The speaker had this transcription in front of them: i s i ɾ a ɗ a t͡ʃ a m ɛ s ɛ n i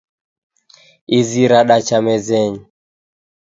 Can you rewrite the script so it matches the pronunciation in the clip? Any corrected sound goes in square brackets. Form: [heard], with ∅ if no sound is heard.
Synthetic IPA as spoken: i [z] i ɾ a ɗ a t͡ʃ a m ɛ [z] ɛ [ɲ] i